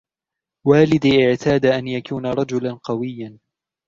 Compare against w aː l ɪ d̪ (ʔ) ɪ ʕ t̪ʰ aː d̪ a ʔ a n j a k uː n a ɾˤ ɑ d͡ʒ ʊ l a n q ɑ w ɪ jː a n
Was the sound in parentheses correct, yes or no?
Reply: yes